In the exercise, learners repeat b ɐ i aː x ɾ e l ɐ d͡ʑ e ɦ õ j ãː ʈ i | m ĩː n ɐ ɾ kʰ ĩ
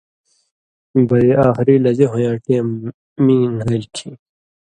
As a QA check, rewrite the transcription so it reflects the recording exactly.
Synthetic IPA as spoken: b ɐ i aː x ɾ i l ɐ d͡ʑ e ɦ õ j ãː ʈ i | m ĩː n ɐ l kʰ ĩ